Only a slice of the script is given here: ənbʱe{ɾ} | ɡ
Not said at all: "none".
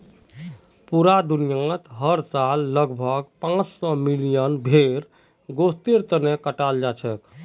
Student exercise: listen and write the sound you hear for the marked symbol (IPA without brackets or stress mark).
ɾ